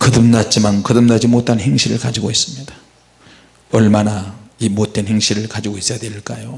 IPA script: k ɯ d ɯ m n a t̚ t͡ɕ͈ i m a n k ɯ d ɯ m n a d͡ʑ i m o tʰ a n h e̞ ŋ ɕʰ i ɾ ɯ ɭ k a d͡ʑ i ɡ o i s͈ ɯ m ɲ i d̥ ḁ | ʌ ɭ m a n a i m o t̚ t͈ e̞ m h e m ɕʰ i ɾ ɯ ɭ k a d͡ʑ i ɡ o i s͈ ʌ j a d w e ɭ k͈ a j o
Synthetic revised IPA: k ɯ d ɯ m n a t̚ t͡ɕ͈ i m a n k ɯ d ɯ m n a d͡ʑ i m o tʰ a n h e̞ ŋ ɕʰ i ɾ ɯ ɭ k a d͡ʑ i ɡ o i s͈ ɯ m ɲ i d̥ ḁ | ʌ ɭ m a n a i m o t̚ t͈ e̞ n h e ŋ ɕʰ i ɾ ɯ ɭ k a d͡ʑ i ɡ o i s͈ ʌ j a d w e ɭ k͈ a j o